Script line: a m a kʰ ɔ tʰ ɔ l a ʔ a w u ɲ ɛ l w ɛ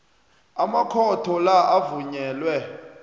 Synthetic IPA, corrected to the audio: a m a kʰ ɔ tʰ ɔ l a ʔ a v u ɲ ɛː l w ɛ